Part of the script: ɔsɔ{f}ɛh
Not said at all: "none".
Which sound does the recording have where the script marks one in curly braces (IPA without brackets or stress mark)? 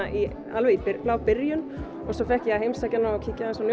f